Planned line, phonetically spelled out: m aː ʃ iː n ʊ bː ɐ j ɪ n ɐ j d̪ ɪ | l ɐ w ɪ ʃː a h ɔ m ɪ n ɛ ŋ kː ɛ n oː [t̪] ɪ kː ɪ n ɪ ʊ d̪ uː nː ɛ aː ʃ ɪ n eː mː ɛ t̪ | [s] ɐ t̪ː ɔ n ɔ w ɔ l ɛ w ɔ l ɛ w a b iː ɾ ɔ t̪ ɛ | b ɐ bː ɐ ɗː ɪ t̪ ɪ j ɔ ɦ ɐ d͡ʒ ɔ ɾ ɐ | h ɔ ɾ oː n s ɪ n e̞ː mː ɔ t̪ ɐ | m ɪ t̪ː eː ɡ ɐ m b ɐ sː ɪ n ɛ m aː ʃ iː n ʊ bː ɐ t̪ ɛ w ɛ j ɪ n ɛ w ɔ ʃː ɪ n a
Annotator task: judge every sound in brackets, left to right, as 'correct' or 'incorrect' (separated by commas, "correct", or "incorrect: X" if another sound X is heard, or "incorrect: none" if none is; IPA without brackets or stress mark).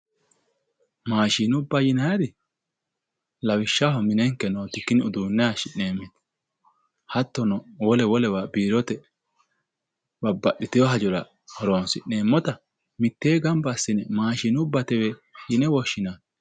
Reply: correct, incorrect: h